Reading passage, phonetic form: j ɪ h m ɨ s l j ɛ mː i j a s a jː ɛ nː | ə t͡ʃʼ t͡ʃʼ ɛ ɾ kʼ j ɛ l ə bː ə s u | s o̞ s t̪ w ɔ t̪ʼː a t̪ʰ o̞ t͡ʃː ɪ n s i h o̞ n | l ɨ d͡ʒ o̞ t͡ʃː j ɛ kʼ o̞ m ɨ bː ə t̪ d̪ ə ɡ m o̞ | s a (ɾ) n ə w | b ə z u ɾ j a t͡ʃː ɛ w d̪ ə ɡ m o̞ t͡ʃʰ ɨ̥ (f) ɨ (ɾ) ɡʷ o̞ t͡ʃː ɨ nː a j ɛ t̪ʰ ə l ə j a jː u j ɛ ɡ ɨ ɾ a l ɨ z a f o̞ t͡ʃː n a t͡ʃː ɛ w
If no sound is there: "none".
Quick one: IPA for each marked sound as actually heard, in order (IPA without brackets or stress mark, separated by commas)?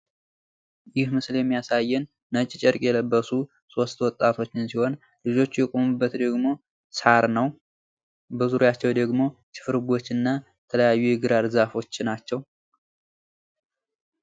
ɾ, f, ɾ